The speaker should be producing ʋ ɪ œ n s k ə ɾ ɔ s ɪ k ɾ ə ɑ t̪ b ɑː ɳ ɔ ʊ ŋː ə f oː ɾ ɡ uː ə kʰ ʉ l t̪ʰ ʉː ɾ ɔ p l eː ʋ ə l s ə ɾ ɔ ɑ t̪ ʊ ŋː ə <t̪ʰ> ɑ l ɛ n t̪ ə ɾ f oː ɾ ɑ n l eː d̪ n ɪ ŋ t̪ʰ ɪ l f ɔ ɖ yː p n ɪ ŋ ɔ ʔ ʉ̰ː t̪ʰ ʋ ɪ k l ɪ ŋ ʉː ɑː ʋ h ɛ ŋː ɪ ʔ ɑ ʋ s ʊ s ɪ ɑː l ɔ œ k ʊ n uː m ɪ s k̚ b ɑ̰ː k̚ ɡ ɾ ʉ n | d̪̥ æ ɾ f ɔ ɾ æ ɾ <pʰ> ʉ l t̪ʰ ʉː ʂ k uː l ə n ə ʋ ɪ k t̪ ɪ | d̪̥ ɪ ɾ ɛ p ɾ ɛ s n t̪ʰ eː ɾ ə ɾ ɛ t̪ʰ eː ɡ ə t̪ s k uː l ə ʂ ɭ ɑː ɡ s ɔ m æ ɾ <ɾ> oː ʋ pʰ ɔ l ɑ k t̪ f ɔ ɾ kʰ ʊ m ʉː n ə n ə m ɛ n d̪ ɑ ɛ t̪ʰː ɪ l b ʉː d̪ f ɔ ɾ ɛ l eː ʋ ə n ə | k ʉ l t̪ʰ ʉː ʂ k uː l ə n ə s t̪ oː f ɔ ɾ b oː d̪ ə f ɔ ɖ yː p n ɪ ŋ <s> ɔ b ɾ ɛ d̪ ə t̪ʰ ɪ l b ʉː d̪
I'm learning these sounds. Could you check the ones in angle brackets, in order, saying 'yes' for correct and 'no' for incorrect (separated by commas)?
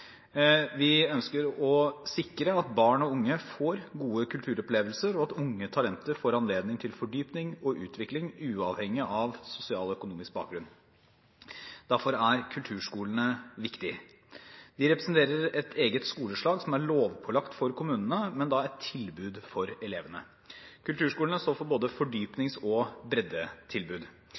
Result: yes, no, no, yes